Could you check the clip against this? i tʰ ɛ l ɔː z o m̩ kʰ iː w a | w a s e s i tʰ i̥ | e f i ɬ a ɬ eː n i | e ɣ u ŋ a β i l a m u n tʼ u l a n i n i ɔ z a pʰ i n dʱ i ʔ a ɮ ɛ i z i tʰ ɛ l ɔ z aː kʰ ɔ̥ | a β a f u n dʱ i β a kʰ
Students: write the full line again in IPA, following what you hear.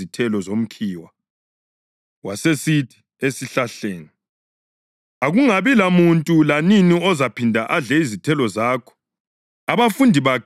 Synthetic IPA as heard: i tʰ ɛ l ɔ z o m̩ kʰ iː w a | w a s e s i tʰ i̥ | e s i ɬ a ɬ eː n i | a ɣ u ŋ a β i l a m u n tʼ u l a n i n i ɔ z a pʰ i n dʱ a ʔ a ɮ ɛ i z i tʰ ɛ l ɔ z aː kʰ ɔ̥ | a β a f u n dʱ i β a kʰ